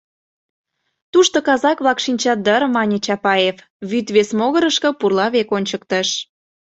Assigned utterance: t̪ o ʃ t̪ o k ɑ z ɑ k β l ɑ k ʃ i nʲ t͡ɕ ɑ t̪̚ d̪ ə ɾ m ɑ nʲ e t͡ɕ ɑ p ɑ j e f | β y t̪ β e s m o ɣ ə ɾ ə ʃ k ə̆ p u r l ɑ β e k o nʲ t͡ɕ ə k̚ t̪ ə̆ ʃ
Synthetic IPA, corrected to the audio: t̪ u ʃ t̪ o k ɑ z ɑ k β l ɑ k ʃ i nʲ t͡ɕ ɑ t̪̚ d̪ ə ɾ m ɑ nʲ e t͡ɕ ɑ p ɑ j e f | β y t̪ β e s m o ɣ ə ɾ ə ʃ k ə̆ p u r l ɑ β e k o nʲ t͡ɕ ə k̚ t̪ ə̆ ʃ